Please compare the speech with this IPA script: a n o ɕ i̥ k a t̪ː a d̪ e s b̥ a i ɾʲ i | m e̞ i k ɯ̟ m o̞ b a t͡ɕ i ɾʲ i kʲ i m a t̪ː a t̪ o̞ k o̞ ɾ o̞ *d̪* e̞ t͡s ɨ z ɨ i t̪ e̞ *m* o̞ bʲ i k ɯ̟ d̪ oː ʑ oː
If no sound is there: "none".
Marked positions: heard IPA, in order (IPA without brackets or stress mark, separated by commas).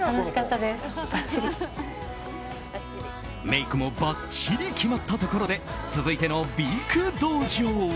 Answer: d̪, n